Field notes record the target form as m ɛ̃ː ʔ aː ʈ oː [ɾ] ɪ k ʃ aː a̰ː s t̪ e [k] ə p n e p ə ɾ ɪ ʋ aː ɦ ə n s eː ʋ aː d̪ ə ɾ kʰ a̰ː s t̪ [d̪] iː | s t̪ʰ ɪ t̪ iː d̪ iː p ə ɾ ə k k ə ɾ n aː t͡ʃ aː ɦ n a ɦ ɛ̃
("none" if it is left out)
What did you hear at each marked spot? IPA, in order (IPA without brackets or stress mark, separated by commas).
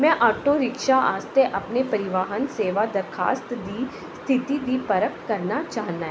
ɾ, ʔ, d̪